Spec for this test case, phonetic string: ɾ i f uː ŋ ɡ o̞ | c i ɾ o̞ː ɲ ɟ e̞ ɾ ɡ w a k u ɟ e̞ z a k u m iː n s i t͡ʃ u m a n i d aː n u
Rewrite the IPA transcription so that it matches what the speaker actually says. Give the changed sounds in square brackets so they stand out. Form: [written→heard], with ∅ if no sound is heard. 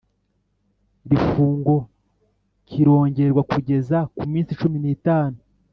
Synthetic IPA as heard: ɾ i f uː ŋ ɡ o̞ | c i ɾ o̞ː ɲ ɟ e̞ ɾ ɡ w a k u ɟ e̞ z a k u m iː n s i t͡ʃ u m [a→i] n i [d→t] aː n u